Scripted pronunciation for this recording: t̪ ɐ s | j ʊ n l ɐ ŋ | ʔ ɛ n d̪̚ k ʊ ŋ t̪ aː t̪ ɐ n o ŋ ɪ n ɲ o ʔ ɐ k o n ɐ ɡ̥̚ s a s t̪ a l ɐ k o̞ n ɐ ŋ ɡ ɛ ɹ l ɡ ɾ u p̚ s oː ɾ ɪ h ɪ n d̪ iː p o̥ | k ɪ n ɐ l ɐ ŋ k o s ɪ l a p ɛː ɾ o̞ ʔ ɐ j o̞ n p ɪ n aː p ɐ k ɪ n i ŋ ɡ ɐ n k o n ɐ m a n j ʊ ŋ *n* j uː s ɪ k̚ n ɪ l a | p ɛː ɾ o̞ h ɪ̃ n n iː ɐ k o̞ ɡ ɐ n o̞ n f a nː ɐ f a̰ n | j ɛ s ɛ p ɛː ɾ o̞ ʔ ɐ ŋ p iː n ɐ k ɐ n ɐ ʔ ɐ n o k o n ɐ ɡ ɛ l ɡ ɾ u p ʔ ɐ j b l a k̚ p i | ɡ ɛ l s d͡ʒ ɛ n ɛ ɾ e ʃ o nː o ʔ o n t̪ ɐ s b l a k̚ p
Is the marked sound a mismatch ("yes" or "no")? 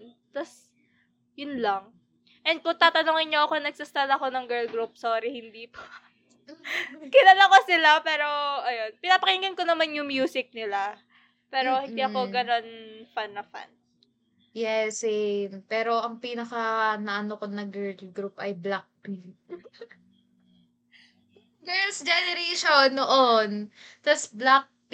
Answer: yes